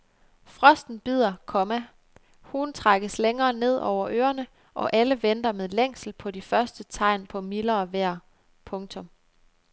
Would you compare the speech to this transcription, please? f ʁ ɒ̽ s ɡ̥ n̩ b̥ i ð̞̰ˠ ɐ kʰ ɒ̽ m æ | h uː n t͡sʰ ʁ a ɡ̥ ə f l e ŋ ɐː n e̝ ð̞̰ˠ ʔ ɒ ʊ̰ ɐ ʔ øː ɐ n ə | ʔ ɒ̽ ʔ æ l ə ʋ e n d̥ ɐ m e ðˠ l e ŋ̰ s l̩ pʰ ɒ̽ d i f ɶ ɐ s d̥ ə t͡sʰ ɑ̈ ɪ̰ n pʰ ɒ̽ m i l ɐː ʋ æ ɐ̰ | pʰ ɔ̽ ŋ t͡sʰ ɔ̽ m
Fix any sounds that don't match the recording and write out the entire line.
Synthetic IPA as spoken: f ʁ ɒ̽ s d̥ n̩ b̥ i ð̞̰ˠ ɐ kʰ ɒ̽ m æ | h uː n t͡sʰ ʁ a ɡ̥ ə s l e ŋ ɐː n e̝ ð̞̰ˠ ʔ ɒ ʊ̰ ɐ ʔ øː ɐ n ə | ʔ ɒ̽ ʔ æ l ə ʋ e n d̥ ɐ m e ðˠ l e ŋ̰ s l̩ pʰ ɒ̽ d i f ɶ ɐ s d̥ ə t͡sʰ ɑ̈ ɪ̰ n pʰ ɒ̽ m i l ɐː ʋ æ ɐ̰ | pʰ ɔ̽ ŋ t͡sʰ ɔ̽ m

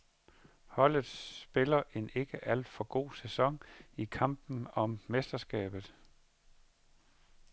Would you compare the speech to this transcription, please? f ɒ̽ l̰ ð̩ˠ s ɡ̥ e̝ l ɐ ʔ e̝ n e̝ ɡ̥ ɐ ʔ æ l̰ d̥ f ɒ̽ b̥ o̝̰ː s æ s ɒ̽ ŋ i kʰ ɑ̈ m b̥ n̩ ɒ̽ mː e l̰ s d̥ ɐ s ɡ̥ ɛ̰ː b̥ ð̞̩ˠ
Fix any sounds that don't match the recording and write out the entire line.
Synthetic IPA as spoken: h ɒ̽ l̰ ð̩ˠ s b̥ e̝ l ɐ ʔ e̝ n e̝ ɡ̥ ə ʔ æ l̰ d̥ f ɒ̽ ɡ̥ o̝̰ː s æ s ɒ̽ ŋ i kʰ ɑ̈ m b̥ n̩ ɒ̽ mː e s d̥ ɐ s ɡ̥ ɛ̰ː b̥ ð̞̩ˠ

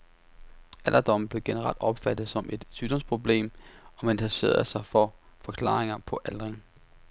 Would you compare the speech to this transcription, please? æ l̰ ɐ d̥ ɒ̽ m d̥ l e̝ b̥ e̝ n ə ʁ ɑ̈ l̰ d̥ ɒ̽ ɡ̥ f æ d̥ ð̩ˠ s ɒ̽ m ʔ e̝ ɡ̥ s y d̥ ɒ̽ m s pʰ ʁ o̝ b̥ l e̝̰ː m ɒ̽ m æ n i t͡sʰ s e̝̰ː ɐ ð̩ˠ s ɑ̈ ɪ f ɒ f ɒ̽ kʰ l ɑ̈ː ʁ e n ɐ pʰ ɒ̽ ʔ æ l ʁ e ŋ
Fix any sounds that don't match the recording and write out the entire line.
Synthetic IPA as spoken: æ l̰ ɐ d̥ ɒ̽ m b̥ l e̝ ɡ̥ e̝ n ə ʁ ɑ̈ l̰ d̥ ɒ̽ b̥ f æ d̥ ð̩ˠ s ɒ̽ m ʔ e̝ d̥ s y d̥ ɒ̽ m s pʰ ʁ o̝ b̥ l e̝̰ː m ɒ̽ m æ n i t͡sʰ s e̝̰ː ɐ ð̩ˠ s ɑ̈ ɪ f ɒ f ɒ̽ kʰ l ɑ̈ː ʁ e ŋ ɐ pʰ ɒ̽ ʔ æ l ʁ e ŋ

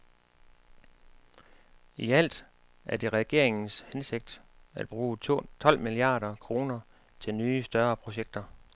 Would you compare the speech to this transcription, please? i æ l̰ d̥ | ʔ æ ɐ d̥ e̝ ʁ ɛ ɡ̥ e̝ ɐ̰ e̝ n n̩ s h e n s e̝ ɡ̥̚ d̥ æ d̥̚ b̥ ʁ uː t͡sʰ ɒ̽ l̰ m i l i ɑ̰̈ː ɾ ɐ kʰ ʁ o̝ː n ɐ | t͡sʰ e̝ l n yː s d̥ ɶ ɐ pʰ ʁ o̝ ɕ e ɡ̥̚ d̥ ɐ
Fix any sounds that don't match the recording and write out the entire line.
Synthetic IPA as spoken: i æ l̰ d̥ | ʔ æ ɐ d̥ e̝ ʁ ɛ ɡ̥ e̝ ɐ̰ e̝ ŋ n̩ s h e n s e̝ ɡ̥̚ d̥ æ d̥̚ b̥ ʁ uː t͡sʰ ɒ̽ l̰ m i l i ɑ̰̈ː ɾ ɐ kʰ ʁ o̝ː n ɐ | t͡sʰ e̝ l n yː s d̥ ɶ ɐ pʰ ʁ o̝ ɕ e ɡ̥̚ d̥ ɐ

